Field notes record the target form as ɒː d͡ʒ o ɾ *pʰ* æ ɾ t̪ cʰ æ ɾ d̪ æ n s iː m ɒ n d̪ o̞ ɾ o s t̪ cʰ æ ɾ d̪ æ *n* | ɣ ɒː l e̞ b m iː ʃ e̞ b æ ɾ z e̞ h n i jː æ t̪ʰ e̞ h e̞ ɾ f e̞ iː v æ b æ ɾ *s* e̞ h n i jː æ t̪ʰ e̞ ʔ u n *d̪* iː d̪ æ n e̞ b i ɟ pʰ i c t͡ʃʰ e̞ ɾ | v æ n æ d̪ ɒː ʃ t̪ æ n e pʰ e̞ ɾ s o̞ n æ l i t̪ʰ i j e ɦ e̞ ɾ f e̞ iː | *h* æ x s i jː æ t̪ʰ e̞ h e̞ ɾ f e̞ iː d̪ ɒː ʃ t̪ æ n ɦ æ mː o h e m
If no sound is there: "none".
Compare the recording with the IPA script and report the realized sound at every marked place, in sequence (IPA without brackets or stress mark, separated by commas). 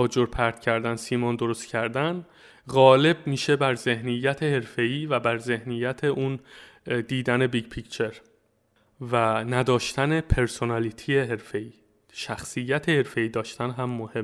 pʰ, n, z, d̪, ʃ